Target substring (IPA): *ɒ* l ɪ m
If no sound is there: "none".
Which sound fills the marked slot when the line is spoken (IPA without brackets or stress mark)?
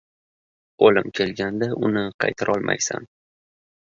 o